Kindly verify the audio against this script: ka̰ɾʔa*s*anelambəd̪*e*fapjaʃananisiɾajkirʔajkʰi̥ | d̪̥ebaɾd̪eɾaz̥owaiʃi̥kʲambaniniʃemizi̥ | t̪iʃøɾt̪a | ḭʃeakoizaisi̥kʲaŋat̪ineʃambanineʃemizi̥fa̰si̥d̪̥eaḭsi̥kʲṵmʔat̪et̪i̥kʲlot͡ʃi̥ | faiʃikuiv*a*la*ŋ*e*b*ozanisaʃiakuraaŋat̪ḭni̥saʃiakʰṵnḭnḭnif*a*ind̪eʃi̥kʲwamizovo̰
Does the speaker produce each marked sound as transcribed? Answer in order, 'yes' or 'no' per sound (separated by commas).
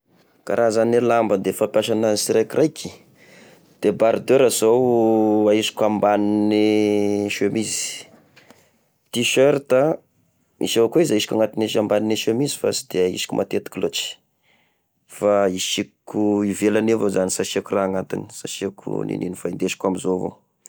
no, yes, no, no, no, yes